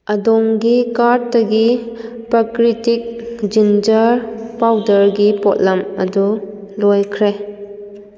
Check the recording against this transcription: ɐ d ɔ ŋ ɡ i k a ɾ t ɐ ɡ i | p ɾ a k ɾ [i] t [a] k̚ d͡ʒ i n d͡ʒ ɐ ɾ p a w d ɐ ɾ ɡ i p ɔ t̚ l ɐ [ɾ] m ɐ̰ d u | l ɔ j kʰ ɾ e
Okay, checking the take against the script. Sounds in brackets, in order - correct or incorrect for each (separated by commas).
correct, incorrect, incorrect